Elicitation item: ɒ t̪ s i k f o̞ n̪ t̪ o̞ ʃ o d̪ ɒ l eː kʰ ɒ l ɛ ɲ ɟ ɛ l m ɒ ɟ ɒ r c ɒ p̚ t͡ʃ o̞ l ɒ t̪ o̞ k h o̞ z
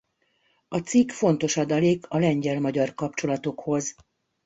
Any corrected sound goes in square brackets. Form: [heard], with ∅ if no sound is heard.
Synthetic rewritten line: ɒ t̪ s i k f o̞ n̪ t̪ o̞ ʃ [ɒ] d̪ ɒ l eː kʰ ɒ l ɛ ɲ ɟ ɛ l m ɒ ɟ ɒ r [k] ɒ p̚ t͡ʃ o̞ l ɒ t̪ o̞ k h o̞ z